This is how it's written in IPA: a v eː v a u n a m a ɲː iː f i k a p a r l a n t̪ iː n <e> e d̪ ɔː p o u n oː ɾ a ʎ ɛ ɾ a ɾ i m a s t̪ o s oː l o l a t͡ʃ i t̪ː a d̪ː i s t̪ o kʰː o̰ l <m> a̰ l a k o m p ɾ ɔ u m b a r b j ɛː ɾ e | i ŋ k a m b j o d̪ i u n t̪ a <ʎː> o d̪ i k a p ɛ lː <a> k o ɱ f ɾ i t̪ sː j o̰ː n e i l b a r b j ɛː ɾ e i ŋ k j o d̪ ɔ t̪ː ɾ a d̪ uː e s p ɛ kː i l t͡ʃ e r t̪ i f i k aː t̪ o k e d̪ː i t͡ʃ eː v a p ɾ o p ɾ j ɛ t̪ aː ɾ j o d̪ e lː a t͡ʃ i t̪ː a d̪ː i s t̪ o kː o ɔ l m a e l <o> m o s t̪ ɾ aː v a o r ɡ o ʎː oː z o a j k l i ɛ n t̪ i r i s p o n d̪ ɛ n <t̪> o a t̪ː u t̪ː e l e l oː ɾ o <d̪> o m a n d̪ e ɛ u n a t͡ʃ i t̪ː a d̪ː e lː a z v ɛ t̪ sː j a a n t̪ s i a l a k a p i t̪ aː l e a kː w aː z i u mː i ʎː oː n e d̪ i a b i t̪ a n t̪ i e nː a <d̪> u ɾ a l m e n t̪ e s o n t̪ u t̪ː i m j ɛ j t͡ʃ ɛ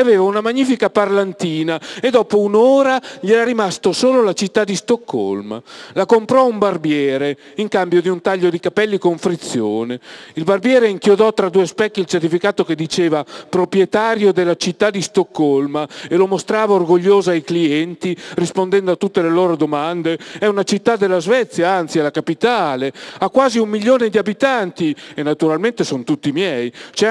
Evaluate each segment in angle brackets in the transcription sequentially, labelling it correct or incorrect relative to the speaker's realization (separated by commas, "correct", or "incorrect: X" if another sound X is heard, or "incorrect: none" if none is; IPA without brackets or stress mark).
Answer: incorrect: a, correct, correct, incorrect: i, correct, incorrect: d̪, correct, incorrect: t̪